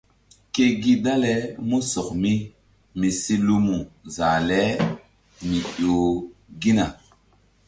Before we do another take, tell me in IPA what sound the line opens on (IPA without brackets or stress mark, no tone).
k